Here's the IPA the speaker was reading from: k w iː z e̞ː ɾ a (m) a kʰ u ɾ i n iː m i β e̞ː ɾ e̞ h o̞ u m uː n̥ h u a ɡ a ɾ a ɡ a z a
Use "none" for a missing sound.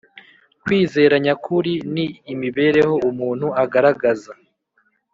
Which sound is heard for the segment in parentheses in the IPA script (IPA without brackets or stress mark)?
ɲ